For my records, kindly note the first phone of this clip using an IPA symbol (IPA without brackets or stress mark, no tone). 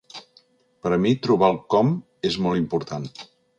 p